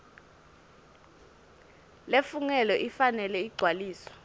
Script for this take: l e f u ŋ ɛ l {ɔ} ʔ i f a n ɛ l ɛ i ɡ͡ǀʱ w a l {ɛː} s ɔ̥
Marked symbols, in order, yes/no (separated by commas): yes, no